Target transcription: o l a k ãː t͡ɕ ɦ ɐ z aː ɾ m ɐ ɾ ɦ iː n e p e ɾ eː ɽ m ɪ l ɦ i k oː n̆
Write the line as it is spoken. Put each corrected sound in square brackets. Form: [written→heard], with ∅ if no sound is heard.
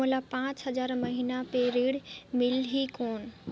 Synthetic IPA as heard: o l a [k→p] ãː t͡ɕ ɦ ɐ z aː ɾ m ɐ [ɾ→∅] ɦ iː n [e→a] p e ɾ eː ɽ m ɪ l ɦ i k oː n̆

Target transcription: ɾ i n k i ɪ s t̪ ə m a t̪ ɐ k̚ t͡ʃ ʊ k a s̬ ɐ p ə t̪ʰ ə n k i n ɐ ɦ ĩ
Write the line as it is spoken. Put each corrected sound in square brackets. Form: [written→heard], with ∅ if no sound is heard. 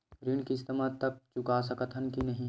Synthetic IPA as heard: ɾ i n k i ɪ s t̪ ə m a t̪ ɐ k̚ t͡ʃ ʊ k a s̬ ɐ [p→k] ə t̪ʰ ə n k i n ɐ ɦ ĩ

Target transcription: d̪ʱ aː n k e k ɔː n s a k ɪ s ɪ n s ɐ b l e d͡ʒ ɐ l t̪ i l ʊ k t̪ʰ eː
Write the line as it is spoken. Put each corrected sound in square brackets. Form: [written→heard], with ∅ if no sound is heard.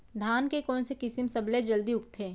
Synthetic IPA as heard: d̪ʱ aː n k e k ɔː n s [a→e] k ɪ s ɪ [n→m] s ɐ b l e d͡ʒ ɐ l [t̪→d̪] i [l→∅] ʊ k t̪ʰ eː

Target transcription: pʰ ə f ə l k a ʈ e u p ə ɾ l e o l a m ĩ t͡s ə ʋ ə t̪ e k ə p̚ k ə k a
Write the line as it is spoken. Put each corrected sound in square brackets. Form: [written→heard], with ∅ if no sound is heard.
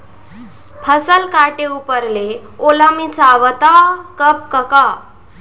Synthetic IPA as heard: pʰ ə [f→s] ə l k a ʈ e u p ə ɾ l e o l a m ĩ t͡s [ə→a] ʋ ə t̪ [e→a] k ə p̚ k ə k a

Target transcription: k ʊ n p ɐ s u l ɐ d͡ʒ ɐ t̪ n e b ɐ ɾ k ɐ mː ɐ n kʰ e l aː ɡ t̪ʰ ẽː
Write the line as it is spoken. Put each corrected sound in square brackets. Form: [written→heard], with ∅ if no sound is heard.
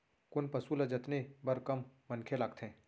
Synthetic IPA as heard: k ʊ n p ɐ s u l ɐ d͡ʒ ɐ t̪ n e b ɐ ɾ k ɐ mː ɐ n kʰ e l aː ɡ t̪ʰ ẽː

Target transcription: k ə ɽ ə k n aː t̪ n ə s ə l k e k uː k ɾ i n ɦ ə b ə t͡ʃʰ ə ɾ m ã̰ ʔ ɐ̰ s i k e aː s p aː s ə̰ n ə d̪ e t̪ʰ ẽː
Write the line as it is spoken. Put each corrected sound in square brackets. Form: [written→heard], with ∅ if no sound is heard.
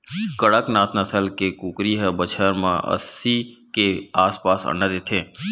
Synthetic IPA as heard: k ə ɽ ə k n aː t̪ n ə s ə l k e k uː k ɾ i [n→∅] ɦ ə b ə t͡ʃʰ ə ɾ m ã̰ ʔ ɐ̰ s i k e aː s p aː s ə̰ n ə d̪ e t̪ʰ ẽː

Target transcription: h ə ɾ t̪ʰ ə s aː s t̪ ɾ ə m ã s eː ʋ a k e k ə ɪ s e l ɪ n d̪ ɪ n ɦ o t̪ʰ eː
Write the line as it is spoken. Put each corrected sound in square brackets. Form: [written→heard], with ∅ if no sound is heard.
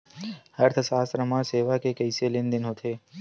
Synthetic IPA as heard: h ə ɾ t̪ʰ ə s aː s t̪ ɾ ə m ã s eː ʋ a k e k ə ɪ s e l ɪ n d̪ ɪ n ɦ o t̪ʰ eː

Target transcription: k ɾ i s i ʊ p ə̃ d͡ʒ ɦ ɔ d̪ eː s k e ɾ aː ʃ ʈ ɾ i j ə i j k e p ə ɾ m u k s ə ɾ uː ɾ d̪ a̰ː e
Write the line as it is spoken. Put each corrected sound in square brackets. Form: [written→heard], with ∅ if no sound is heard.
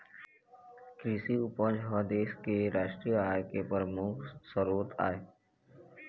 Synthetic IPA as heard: k ɾ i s i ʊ p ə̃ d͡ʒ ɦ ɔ d̪ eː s k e ɾ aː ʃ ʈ ɾ i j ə [i→a] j k e p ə ɾ m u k s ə ɾ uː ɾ [d̪→t̪] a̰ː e

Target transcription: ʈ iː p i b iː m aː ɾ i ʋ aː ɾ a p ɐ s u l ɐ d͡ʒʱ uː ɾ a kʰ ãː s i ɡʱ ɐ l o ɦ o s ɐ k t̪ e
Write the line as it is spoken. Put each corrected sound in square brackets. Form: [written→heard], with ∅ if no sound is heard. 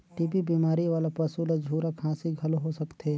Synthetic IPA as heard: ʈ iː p i b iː m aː ɾ i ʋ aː [ɾ→l] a p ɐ s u l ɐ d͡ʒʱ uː ɾ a kʰ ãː s i ɡʱ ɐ l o ɦ o s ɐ k t̪ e

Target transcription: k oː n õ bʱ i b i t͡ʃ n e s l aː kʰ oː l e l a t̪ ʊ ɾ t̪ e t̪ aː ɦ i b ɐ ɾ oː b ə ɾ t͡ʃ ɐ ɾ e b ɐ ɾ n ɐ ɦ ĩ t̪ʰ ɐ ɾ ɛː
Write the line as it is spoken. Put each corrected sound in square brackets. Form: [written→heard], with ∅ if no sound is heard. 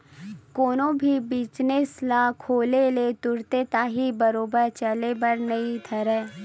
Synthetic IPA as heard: k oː n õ bʱ i b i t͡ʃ n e s l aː kʰ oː l e l [a→e] t̪ ʊ ɾ t̪ e t̪ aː ɦ i b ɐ ɾ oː b ə ɾ t͡ʃ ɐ [ɾ→l] e b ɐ ɾ n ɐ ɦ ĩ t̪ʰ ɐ ɾ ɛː

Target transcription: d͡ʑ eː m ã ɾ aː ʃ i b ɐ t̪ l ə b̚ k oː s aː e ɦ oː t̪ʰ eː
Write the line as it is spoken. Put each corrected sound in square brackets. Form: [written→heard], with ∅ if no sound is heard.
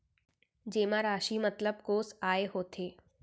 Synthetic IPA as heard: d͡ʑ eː m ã ɾ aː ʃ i [b→m] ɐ t̪ l ə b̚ k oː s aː e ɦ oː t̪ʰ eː

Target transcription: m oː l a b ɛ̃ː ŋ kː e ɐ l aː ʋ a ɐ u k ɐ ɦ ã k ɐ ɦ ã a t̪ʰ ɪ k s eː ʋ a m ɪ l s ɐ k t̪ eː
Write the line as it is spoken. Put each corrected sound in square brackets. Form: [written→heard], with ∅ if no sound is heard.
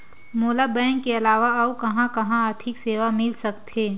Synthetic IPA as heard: m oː l a b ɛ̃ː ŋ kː e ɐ l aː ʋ a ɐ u k ɐ ɦ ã k ɐ ɦ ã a t̪ʰ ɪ k s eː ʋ a m ɪ l s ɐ k t̪ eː

